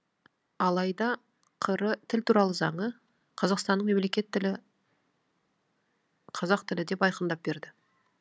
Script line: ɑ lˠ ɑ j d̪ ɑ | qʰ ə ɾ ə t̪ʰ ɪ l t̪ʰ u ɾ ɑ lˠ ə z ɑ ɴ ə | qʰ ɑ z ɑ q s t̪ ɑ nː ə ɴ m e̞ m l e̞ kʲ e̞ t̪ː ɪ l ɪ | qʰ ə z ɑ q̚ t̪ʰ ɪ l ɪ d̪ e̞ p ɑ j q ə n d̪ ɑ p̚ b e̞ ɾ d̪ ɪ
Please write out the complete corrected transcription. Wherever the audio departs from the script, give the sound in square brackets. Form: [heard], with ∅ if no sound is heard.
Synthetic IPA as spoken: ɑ lˠ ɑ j d̪ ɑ | qʰ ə ɾ ə t̪ʰ ɪ l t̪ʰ u ɾ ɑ lˠ ə z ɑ ɴ ə | qʰ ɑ z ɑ q s t̪ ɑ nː ə ɴ m e̞ m l e̞ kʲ e̞ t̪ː ɪ l ɪ | qʰ [ɑ] z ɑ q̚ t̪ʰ ɪ l ɪ d̪ e̞ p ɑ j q ə n d̪ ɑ p̚ b e̞ ɾ d̪ ɪ